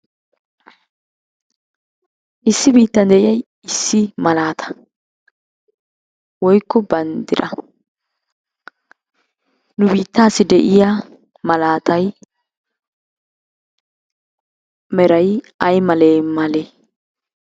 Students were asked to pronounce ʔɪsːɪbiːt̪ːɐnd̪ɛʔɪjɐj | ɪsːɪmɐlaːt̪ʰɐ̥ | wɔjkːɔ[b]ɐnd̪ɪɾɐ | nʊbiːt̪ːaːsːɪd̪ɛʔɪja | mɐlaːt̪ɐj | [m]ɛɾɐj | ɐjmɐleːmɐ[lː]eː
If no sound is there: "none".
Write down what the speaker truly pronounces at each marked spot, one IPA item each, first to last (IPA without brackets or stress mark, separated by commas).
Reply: b, m, l